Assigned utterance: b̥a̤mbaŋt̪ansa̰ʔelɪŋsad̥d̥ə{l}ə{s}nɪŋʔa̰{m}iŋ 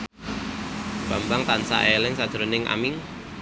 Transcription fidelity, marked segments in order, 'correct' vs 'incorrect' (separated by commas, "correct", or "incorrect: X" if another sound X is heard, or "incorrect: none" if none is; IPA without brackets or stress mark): incorrect: ɾ, incorrect: none, correct